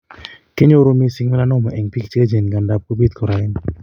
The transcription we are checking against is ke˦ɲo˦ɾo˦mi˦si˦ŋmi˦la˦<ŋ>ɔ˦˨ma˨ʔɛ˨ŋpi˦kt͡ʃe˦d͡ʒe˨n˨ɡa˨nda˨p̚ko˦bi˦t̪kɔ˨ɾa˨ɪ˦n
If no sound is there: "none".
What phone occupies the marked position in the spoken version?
n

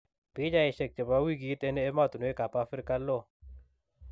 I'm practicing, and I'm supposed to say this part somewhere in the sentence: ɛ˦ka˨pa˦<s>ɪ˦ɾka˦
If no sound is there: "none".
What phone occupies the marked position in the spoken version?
f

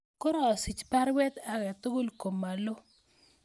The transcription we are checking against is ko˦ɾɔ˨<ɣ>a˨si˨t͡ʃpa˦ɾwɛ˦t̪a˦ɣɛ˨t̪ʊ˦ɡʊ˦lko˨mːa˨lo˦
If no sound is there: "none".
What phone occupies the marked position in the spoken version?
none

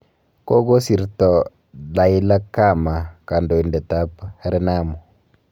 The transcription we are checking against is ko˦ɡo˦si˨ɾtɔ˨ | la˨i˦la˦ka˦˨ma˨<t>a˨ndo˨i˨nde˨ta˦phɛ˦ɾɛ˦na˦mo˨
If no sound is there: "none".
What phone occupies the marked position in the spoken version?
k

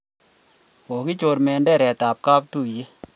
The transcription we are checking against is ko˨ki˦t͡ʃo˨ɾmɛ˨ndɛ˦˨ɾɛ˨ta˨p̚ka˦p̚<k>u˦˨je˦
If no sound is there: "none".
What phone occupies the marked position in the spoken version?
t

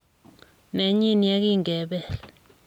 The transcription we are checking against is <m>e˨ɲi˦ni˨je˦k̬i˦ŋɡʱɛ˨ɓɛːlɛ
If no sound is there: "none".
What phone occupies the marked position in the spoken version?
n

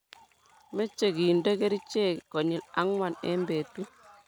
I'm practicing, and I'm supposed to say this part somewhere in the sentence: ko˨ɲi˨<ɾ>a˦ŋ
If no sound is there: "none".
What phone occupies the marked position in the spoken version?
l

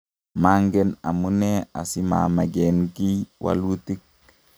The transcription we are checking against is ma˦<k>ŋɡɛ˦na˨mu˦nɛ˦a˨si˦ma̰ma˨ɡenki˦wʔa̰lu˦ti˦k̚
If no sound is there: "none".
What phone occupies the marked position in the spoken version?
none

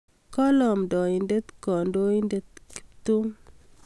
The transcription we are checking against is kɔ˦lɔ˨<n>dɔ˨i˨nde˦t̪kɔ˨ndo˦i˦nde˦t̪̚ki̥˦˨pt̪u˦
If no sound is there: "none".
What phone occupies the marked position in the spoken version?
m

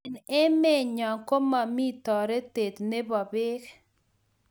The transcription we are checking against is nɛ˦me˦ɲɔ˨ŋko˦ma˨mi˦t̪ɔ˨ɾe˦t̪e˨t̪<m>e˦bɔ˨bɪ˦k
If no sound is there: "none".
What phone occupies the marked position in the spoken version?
n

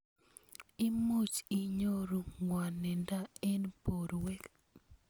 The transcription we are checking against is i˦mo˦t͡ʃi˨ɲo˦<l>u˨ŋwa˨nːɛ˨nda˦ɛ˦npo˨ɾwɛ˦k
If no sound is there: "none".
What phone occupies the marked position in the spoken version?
ɾ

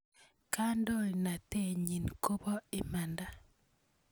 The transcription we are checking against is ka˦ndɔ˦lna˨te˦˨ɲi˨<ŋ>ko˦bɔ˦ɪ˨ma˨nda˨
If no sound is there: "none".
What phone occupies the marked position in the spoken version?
n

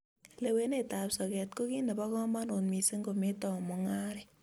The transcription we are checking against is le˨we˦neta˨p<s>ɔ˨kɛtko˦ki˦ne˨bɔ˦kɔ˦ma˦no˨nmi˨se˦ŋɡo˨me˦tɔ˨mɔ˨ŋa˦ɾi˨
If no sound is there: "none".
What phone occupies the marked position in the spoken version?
s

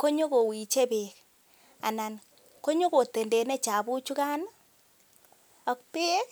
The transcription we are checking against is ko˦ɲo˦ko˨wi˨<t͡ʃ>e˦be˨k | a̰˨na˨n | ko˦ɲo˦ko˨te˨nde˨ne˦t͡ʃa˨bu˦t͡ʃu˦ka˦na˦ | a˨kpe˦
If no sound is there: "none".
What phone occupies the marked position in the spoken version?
t͡ʃ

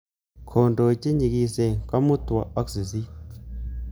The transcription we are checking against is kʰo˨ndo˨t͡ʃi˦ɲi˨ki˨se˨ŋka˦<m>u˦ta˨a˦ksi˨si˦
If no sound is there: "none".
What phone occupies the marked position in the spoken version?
m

